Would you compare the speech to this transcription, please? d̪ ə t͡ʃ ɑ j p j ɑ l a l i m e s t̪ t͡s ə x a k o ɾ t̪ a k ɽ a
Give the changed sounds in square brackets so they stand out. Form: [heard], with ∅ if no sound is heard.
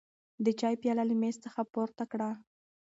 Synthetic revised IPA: d̪ ə t͡ʃ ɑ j p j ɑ l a l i m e s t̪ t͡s ə x a [p] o ɾ t̪ a k ɽ a